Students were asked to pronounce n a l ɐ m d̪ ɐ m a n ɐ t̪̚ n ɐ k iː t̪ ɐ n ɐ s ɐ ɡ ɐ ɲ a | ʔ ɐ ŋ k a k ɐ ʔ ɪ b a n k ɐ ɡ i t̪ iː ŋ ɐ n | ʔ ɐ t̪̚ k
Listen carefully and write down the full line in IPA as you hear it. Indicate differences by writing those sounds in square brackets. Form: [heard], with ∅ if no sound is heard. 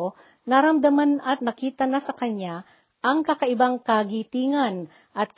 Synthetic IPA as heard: n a [ɾ] ɐ m d̪ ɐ m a n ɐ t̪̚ n ɐ k iː t̪ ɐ n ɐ s ɐ [k] ɐ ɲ a | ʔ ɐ ŋ k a k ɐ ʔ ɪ b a [ŋ] k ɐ ɡ i t̪ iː ŋ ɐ n | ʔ ɐ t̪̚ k